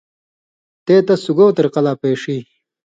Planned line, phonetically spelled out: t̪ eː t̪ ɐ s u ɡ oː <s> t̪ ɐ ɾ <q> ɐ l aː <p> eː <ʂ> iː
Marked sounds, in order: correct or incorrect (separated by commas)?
incorrect, correct, correct, correct